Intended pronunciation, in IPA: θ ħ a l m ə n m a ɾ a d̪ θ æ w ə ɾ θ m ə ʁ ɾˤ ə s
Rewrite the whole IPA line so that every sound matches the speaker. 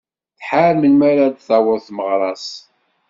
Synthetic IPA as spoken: θ ħ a ɾ m ə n m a ɾ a d̪ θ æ w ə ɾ θ m ə ʁ ɾˤ ɑ s